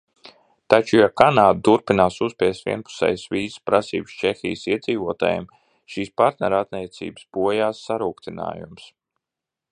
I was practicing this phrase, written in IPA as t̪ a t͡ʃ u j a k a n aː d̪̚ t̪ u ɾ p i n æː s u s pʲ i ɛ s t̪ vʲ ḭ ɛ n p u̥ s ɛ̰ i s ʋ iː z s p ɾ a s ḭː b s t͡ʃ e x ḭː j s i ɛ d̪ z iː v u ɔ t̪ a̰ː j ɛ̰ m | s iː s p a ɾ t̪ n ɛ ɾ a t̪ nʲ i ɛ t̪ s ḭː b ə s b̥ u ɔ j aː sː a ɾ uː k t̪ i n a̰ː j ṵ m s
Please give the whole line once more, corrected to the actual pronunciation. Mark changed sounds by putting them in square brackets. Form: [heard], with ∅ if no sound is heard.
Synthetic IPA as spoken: t̪ a t͡ʃ u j a k a n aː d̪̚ t̪ u ɾ p i n [aː] s u s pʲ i ɛ s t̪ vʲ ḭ ɛ n p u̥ s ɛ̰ [j] s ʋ iː z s p ɾ a s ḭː b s t͡ʃ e x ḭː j s i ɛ d̪ z iː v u ɔ t̪ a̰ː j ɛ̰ m | [ʃ] iː s p a ɾ t̪ n ɛ ɾ a t̪ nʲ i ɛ t̪ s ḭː b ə s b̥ u ɔ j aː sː a ɾ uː k t̪ i n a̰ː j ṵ m s